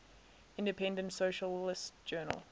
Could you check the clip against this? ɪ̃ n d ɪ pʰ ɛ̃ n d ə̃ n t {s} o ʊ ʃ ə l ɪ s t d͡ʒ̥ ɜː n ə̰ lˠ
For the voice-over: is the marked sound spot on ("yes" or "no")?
yes